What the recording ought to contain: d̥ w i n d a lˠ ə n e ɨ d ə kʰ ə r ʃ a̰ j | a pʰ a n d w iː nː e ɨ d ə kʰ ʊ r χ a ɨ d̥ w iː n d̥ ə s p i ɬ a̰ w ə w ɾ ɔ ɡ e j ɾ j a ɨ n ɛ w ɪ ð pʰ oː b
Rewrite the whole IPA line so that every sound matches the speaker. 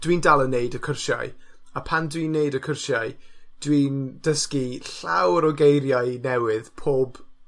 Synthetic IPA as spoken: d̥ w i n d a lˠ ə n e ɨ d ə kʰ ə r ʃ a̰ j | a pʰ a n d w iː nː e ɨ d ə kʰ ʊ r ʃ a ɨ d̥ w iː n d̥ ə s k i ɬ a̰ w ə ɾ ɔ ɡ e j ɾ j a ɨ n ɛ w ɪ ð pʰ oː b